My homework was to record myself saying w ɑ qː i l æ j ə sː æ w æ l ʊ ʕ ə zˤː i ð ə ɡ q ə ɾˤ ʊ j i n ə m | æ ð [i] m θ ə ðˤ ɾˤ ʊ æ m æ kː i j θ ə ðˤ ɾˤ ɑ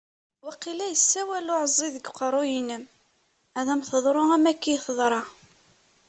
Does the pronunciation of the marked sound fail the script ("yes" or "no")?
yes